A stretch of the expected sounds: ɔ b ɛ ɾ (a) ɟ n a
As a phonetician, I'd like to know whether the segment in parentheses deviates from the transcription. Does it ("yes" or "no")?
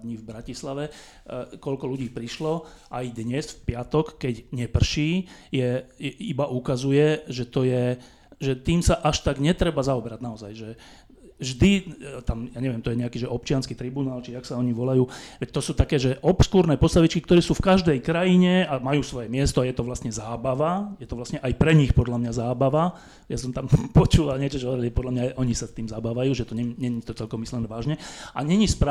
no